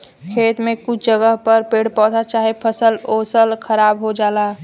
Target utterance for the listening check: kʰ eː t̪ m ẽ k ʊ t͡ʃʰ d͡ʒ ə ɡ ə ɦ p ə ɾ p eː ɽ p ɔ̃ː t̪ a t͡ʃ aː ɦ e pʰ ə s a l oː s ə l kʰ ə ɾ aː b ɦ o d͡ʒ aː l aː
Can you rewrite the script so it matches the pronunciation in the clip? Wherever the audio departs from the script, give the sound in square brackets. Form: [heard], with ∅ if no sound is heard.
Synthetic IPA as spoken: kʰ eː t̪ m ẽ k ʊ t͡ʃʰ d͡ʒ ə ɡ ə ɦ p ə ɾ p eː ɽ p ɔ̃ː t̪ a t͡ʃ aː ɦ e pʰ ə s [ə] l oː s ə l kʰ ə ɾ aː b ɦ o d͡ʒ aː l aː